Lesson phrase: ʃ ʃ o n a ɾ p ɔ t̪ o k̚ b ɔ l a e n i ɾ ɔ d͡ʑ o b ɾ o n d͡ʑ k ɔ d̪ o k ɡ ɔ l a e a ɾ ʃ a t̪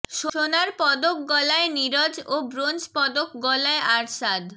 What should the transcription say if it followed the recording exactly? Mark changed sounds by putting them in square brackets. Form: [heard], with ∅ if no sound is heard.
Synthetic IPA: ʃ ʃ o n a ɾ p ɔ [d̪] o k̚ [ɡ] ɔ l a e n i ɾ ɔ d͡ʑ o b ɾ o n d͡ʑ [p] ɔ d̪ o k ɡ ɔ l a e a ɾ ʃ a [d̪]